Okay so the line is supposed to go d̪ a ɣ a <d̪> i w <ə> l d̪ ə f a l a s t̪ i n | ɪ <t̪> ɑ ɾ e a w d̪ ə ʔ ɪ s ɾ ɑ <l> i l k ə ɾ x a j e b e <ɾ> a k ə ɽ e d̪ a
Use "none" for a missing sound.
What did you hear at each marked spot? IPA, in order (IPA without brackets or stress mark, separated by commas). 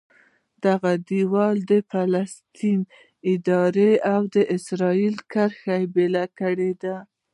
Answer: d̪, ɑ, d̪, none, l